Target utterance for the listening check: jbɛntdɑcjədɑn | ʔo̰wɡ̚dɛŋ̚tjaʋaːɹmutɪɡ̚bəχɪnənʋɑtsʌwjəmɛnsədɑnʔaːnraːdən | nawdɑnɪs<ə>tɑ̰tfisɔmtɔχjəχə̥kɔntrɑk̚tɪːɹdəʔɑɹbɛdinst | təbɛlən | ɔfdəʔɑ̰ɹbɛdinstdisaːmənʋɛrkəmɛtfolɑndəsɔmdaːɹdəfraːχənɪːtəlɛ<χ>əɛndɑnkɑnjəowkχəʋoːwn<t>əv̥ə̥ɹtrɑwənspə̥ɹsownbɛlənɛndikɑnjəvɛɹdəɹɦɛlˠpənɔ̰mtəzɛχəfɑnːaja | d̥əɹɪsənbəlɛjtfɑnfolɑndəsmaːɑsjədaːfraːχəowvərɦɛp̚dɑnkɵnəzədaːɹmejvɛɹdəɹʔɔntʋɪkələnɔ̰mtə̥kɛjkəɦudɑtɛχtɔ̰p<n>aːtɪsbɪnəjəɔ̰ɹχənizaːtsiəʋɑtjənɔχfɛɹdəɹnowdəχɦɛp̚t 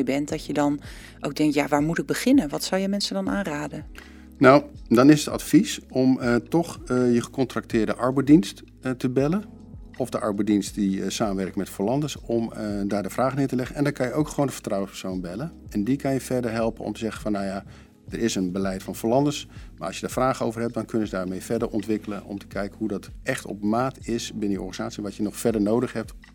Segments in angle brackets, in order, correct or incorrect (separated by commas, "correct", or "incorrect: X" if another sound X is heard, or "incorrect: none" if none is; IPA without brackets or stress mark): correct, correct, incorrect: d, incorrect: m